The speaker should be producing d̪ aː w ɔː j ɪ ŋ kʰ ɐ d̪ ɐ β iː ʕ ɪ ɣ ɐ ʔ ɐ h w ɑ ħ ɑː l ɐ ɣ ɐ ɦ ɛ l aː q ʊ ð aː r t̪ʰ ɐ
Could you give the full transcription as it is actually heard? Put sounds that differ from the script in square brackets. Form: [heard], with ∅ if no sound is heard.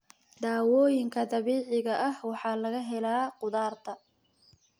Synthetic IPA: d̪ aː w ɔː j ɪ ŋ kʰ ɐ d̪ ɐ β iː ʕ ɪ ɣ ɐ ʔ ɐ h w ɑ ħ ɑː l ɐ ɣ ɐ ɦ ɛ l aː q ʊ ð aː r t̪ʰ ɐ